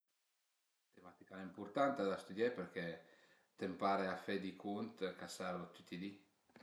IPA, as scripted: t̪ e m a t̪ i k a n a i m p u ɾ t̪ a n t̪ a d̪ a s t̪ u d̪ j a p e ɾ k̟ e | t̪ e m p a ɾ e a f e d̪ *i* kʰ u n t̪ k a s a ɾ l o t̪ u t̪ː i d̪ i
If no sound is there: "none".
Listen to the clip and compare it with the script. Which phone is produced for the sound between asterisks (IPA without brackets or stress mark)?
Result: i